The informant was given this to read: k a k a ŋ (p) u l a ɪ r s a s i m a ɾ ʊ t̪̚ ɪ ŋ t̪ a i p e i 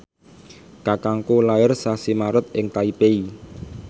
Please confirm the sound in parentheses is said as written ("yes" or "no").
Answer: no